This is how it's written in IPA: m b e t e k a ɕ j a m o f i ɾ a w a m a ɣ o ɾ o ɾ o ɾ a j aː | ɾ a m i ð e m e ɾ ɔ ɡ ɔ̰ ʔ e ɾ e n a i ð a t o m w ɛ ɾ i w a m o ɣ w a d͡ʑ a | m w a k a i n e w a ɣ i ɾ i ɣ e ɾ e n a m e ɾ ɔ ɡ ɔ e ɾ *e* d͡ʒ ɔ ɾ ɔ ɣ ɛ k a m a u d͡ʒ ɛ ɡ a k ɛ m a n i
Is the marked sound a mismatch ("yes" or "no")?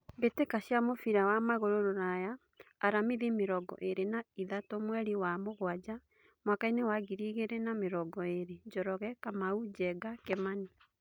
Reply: no